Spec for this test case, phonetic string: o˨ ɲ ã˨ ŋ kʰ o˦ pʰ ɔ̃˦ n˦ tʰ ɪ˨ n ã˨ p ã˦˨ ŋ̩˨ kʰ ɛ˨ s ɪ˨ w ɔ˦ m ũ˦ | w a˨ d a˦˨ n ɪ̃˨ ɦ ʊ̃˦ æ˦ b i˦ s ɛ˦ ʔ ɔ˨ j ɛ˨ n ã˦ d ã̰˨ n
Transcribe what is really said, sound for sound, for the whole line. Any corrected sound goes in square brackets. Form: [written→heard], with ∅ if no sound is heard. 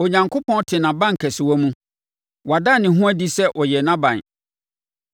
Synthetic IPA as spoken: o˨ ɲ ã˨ ŋ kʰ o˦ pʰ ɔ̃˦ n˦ tʰ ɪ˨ n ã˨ [p→b] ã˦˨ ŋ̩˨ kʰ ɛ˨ s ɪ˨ w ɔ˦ m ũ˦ | w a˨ d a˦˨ n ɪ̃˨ ɦ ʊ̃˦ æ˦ [b→d] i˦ s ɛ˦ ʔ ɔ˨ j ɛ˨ n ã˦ [d→b] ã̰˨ n